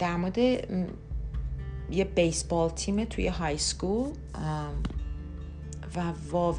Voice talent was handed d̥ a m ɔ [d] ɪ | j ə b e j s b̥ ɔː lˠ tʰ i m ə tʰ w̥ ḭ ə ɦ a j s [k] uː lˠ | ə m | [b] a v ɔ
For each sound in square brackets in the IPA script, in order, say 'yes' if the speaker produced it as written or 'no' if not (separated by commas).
yes, yes, no